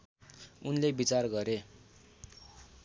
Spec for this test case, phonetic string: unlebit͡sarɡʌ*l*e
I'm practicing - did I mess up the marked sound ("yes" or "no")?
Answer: yes